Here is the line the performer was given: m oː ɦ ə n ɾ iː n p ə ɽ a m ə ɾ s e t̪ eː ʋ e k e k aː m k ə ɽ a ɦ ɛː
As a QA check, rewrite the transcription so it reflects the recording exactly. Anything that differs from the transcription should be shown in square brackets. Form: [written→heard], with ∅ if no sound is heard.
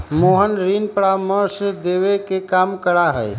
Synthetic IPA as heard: m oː ɦ ə n ɾ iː n p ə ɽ a m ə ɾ s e [t̪→d̪] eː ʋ e k e k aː m k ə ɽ a ɦ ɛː